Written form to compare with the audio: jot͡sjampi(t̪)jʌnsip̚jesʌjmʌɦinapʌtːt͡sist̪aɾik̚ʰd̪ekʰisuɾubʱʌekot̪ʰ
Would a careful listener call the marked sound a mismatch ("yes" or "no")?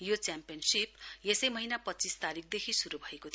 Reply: yes